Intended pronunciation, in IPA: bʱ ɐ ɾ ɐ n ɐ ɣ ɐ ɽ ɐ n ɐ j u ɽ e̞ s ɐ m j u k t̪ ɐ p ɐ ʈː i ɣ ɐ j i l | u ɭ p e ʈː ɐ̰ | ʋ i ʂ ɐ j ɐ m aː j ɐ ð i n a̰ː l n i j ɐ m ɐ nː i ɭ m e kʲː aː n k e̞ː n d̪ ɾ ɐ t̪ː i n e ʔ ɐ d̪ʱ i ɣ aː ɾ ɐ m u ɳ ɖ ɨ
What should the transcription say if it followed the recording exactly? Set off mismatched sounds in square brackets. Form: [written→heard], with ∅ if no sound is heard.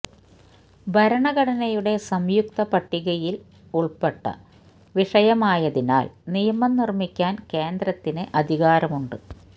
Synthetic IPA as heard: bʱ ɐ ɾ ɐ [n→ɳ] ɐ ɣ ɐ ɽ ɐ n ɐ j u ɽ e̞ s ɐ m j u k t̪ ɐ p ɐ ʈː i ɣ ɐ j i l | u ɭ p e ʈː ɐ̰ | ʋ i ʂ ɐ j ɐ m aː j ɐ ð i n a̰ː l n i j ɐ m ɐ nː i [ɭ→r] m [e→i] kʲː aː n k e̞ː n d̪ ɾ ɐ t̪ː i n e ʔ ɐ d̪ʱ i ɣ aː ɾ ɐ m u ɳ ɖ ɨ